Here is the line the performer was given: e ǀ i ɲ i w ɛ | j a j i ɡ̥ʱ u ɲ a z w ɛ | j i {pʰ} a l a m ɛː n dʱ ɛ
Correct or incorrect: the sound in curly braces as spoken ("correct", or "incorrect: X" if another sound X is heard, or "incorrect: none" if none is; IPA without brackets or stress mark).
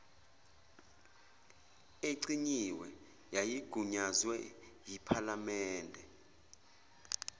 correct